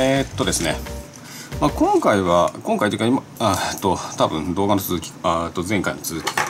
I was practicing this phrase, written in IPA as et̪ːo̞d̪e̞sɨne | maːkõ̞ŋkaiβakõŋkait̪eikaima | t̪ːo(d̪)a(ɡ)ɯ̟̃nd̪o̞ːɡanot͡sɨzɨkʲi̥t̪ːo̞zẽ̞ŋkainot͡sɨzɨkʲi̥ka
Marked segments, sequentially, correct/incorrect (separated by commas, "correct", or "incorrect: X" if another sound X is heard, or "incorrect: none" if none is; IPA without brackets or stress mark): incorrect: t̪, incorrect: b